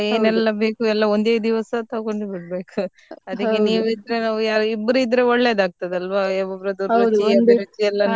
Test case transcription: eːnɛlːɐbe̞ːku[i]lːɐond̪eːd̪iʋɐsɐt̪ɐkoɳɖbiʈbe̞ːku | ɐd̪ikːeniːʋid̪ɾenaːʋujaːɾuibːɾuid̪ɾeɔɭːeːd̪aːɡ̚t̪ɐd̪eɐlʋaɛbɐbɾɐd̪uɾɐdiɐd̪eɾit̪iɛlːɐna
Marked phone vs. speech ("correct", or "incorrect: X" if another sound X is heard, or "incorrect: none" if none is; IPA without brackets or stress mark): incorrect: ɛ